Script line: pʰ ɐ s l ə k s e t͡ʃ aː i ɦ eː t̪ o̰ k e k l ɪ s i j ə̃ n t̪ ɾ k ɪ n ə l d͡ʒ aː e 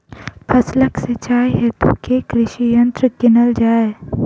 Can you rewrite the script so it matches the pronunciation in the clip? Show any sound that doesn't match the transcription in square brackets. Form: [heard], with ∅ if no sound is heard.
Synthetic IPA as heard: pʰ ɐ s l ə k s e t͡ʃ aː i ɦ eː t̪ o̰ k e k [ɾ] ɪ [ʃ] i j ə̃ n t̪ ɾ k ɪ n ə l d͡ʒ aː e